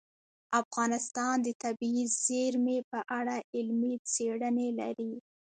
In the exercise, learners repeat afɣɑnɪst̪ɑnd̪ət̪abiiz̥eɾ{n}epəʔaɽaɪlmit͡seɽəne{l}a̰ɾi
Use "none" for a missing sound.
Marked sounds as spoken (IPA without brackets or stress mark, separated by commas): m, l